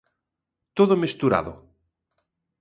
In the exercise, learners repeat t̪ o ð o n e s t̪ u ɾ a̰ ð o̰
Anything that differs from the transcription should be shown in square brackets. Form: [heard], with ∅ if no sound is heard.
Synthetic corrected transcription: t̪ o ð o [m] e s t̪ u ɾ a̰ ð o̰